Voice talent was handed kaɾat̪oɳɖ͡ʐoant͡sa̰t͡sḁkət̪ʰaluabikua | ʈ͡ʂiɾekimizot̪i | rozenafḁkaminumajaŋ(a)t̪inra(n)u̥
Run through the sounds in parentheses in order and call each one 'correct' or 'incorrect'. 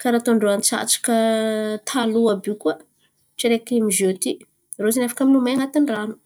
correct, correct

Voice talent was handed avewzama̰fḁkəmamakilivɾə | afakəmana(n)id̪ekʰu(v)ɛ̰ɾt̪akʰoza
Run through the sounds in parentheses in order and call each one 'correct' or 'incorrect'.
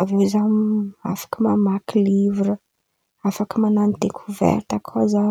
correct, correct

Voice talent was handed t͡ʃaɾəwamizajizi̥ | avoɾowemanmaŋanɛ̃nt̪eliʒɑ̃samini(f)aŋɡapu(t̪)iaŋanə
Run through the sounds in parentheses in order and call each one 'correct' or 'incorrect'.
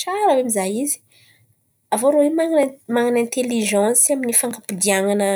correct, incorrect

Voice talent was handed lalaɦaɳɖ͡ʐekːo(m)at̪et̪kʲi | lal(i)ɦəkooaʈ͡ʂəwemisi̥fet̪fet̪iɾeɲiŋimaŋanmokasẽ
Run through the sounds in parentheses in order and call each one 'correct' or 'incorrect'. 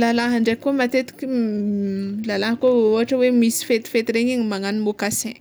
correct, incorrect

